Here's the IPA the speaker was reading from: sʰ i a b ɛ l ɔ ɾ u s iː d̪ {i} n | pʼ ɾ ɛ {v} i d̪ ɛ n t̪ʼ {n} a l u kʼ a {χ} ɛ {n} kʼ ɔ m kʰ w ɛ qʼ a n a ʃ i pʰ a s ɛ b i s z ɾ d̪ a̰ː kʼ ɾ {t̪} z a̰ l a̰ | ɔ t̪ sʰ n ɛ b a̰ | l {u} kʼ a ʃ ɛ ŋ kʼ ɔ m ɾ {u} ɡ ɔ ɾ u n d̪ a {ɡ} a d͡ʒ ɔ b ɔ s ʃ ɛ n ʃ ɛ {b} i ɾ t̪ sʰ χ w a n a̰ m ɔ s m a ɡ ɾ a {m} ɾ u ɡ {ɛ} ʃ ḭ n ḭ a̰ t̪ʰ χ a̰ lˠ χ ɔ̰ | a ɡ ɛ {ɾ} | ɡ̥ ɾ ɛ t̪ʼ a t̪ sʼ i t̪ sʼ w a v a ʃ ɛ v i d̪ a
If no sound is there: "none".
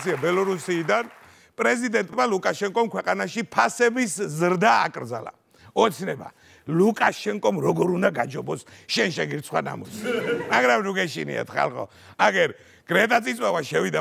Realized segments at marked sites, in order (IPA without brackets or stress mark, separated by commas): a, z, m, ʃ, ŋ, d̪, u, ɔ, ɡ, ɡ, m, ɛ, ɾ